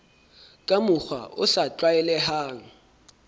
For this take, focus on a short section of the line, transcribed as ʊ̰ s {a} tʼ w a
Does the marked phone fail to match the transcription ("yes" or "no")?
no